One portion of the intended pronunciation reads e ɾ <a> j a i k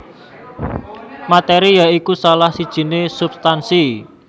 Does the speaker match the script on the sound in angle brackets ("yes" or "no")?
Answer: no